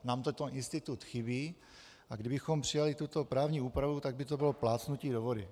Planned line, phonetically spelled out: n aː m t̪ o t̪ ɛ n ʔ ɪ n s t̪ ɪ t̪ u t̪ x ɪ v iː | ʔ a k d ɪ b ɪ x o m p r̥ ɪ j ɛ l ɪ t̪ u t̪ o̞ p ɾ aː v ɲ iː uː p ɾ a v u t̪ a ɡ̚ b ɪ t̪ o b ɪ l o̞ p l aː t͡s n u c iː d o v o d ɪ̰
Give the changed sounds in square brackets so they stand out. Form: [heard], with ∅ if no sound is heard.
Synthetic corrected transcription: n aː m t̪ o t̪ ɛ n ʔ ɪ n s t̪ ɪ t̪ u t̪ x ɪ [b] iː | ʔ a [ɡ] d ɪ b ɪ x o m p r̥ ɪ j [a] l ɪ t̪ u t̪ o̞ p ɾ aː v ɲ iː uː p ɾ a v u t̪ a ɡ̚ b ɪ t̪ o b ɪ l o̞ p l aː t͡s n u c iː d o v o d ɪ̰